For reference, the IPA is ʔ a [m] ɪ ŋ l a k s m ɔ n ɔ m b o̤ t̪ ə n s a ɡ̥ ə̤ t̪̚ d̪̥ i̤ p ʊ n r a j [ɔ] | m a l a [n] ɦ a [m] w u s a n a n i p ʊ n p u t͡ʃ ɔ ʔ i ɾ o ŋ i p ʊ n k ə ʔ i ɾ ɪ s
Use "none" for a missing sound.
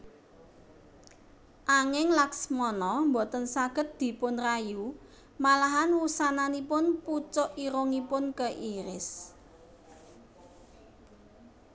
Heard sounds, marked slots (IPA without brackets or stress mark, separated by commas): ŋ, u, none, n